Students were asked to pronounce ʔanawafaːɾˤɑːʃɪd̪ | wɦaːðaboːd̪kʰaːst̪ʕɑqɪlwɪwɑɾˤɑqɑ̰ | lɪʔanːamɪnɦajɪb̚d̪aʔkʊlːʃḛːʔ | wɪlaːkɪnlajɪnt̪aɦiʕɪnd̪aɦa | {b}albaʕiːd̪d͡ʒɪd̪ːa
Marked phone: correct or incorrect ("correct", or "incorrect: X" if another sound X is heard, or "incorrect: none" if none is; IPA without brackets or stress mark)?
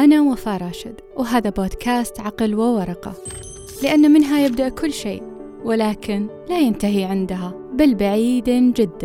correct